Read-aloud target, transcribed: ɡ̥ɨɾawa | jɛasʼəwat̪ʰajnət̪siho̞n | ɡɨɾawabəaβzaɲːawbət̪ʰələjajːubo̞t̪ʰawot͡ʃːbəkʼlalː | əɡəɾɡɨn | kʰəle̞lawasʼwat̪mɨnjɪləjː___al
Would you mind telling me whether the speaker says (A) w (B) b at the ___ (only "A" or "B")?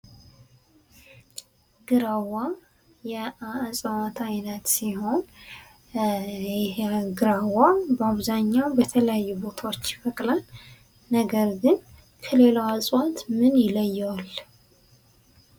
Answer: A